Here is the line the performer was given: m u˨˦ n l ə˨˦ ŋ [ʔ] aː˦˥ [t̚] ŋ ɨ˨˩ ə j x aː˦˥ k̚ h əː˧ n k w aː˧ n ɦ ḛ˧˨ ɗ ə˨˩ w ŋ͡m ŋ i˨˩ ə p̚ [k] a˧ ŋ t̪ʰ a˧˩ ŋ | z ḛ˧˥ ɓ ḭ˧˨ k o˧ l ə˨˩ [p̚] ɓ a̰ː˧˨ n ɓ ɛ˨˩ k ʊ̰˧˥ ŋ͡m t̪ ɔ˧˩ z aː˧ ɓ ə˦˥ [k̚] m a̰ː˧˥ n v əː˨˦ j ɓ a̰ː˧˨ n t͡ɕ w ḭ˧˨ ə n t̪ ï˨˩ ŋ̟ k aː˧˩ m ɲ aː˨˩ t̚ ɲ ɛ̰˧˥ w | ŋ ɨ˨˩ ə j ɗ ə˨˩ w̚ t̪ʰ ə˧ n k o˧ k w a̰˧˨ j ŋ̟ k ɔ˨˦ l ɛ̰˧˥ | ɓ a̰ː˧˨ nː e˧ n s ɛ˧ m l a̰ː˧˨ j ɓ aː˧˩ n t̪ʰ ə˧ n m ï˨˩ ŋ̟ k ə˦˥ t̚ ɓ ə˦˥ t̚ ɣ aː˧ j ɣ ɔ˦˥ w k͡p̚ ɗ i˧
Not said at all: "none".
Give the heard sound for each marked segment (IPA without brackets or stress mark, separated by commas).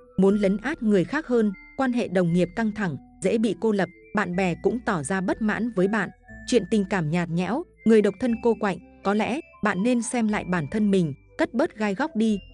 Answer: ʔ, t̚, k, p̚, t̚